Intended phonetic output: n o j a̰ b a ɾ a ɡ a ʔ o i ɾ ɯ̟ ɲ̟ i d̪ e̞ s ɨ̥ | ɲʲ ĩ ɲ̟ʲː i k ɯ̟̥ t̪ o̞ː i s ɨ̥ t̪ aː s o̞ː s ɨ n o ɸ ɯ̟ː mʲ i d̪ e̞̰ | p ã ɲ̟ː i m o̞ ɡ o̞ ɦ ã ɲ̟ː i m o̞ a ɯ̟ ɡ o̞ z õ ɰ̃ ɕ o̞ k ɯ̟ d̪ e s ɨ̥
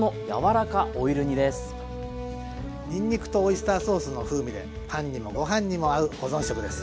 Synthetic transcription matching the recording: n o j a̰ β a ɾ a k a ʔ o i ɾ ɯ̟ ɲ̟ i d̪ e̞ s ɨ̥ | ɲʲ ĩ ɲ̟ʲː i k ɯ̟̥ t̪ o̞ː i s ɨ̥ t̪ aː s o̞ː s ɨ n o ɸ ɯ̟ː mʲ i d̪ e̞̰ | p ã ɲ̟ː i m o̞ ɡ o̞ ɦ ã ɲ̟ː i m o̞ a ɯ̟ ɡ o̞ z õ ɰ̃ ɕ o̞ k ɯ̟ d̪ e s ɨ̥